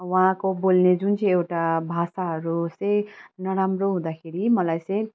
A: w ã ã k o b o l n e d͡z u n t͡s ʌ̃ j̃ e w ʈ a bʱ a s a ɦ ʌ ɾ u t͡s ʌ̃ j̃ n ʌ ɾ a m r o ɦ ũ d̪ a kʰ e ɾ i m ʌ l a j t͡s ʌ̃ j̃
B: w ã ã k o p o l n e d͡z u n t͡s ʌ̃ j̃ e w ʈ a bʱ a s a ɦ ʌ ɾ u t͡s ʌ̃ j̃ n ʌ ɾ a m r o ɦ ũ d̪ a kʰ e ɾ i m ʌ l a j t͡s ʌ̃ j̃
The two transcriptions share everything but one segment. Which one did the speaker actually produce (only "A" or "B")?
A